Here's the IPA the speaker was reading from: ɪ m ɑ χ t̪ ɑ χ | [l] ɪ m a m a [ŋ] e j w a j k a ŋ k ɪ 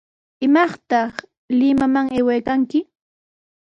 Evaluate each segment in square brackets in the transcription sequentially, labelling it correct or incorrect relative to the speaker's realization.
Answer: correct, correct

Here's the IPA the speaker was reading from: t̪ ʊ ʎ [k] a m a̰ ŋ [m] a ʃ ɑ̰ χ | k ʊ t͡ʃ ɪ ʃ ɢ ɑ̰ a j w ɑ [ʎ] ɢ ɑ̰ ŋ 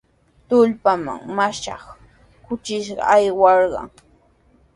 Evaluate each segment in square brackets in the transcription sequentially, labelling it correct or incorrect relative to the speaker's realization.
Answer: incorrect: p, correct, incorrect: ɾ

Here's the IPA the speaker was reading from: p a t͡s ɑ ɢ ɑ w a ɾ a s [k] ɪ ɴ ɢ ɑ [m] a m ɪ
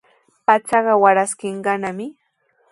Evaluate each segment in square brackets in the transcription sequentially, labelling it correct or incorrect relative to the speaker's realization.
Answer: correct, incorrect: n

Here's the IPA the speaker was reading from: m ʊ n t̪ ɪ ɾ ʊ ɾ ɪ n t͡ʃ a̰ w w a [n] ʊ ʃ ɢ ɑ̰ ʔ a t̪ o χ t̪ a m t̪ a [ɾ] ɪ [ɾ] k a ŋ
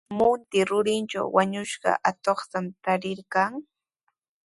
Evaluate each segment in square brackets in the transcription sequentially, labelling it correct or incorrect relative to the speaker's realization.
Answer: incorrect: ɲ, correct, correct

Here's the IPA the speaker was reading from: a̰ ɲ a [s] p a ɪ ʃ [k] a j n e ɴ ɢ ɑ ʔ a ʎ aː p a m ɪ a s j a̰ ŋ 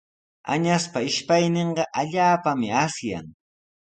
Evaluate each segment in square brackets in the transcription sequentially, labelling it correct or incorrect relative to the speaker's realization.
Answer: correct, incorrect: p

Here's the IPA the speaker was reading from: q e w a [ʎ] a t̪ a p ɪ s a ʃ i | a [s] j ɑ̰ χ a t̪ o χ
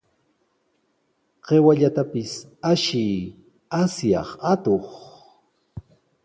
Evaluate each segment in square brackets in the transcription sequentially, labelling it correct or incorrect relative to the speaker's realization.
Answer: correct, correct

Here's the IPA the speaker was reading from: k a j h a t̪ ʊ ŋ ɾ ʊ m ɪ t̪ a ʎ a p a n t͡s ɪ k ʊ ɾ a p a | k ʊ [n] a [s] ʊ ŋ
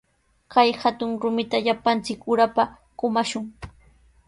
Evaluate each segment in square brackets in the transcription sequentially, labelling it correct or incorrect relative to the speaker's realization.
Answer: incorrect: m, incorrect: ʃ

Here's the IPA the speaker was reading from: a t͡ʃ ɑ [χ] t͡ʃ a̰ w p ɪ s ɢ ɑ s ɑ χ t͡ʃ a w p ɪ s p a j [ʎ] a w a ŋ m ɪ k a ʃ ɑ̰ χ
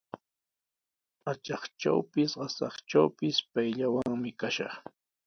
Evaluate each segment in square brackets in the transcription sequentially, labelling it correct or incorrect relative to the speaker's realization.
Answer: correct, correct

